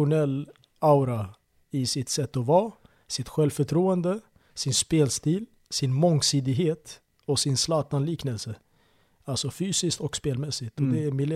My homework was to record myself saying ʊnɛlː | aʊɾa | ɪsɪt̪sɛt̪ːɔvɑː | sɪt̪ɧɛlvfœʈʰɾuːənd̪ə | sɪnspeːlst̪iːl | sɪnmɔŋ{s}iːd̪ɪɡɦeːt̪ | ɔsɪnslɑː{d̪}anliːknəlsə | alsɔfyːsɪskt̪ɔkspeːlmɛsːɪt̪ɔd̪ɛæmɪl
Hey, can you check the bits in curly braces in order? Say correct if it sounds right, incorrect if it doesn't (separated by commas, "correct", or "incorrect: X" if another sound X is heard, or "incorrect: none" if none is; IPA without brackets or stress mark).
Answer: correct, incorrect: t̪